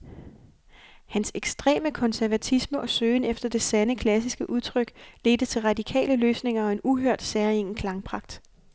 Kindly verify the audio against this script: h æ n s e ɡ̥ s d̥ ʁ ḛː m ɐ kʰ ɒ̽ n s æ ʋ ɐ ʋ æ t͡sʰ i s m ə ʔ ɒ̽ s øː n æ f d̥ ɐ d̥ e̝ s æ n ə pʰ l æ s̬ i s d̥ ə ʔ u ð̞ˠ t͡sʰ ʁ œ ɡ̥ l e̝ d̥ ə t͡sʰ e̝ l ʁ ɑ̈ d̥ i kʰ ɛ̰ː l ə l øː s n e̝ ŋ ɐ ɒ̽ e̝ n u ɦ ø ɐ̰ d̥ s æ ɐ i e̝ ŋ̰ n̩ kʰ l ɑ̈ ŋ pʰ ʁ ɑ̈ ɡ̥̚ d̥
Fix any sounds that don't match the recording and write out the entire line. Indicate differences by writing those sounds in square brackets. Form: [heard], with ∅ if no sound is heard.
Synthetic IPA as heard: h æ n s e ɡ̥ s d̥ ʁ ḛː m [ə] kʰ ɒ̽ n s æ [∅] ɐ ʋ æ t͡sʰ i s m ə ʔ ɒ̽ s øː n [e] f d̥ ɐ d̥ e̝ s æ n ə [kʰ] l æ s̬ i s [ɡ̥] ə ʔ u ð̞ˠ t͡sʰ ʁ œ ɡ̥ l e̝ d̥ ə t͡sʰ e̝ l ʁ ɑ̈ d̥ i kʰ ɛ̰ː l ə l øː s n e̝ ŋ ɐ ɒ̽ e̝ n u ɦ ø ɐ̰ d̥ s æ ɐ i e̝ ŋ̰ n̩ kʰ l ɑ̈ ŋ pʰ ʁ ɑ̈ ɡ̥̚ d̥